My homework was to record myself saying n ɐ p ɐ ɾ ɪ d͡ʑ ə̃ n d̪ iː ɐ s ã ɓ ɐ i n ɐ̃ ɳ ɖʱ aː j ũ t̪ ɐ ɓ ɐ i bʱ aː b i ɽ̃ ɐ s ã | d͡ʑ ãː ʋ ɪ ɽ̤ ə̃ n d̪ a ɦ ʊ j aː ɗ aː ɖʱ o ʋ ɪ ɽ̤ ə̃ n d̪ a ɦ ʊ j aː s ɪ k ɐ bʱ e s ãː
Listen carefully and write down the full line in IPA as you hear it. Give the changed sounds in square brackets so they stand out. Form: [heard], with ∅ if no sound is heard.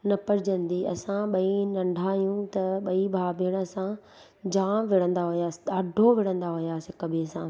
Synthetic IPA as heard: n ɐ p ɐ ɾ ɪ d͡ʑ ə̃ n d̪ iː ɐ s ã ɓ ɐ i n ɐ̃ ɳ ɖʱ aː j ũ t̪ ɐ ɓ ɐ i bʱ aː b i ɽ̃ ɐ s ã | d͡ʑ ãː ʋ ɪ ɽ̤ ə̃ n d̪ a ɦ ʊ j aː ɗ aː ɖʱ o ʋ ɪ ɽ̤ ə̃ n d̪ a ɦ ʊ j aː s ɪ k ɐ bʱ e s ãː